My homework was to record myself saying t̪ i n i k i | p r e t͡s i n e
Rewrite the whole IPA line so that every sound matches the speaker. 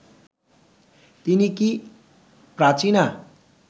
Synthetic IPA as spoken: t̪ i n i k i | p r a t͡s i n a

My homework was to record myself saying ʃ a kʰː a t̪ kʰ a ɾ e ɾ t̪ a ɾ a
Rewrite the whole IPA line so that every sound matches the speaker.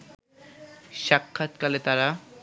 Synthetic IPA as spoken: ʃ a kʰː a t̪ k a l e t̪ a ɾ a

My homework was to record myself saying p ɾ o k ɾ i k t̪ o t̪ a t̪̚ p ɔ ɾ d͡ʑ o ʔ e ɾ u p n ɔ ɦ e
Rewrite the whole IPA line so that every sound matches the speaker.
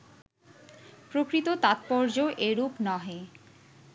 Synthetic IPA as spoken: p ɾ o k ɾ i t̪ o t̪ a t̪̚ p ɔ ɾ d͡ʑ o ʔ e ɾ u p n ɔ ɦ e

